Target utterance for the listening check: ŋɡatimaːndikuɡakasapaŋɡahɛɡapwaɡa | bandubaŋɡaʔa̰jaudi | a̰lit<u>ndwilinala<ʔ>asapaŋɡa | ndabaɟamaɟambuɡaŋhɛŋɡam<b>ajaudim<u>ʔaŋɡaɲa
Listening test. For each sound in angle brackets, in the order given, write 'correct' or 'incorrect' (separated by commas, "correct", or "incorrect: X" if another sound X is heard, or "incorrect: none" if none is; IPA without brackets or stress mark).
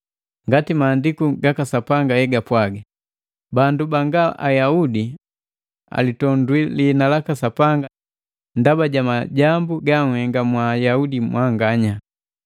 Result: incorrect: ɔ, incorrect: k, incorrect: w, incorrect: w